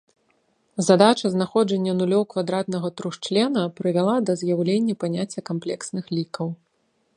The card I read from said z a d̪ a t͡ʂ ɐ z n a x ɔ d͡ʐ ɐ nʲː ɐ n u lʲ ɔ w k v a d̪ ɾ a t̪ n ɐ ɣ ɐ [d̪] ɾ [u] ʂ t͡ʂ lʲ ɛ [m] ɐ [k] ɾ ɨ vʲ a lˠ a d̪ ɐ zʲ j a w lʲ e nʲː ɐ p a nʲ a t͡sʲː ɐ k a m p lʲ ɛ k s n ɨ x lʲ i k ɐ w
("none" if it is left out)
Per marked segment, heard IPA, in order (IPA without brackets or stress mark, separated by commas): t̪, u, n, p